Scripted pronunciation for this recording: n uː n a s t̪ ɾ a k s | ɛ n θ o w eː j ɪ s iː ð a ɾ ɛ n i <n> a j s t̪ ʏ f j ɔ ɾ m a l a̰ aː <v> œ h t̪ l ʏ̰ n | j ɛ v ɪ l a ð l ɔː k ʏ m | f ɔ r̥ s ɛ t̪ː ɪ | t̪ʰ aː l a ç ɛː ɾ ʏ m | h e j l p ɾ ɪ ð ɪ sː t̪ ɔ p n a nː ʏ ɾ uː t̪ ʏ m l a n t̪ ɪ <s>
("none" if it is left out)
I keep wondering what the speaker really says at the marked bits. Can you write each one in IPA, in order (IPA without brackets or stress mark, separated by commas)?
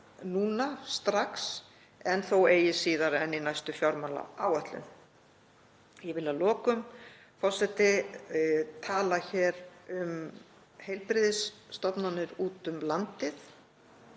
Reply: n, w, θ